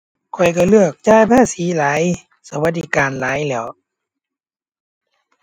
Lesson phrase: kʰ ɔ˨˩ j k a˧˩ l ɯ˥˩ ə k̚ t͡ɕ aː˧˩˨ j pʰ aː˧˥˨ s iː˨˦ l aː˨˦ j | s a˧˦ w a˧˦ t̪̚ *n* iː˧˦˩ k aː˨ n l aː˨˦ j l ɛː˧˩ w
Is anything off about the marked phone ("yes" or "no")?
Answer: yes